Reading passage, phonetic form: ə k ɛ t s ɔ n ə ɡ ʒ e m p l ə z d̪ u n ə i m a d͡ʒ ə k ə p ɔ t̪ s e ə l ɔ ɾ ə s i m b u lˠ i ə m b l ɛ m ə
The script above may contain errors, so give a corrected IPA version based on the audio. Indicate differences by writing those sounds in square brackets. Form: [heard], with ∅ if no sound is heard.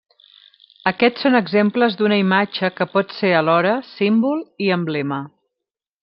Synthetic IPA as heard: ə k ɛ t s [o] n ə ɡ [z] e m p l ə z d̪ u n ə i m a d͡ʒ ə k ə p ɔ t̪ s e ə l ɔ ɾ ə s i m b u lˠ i ə m b l ɛ m ə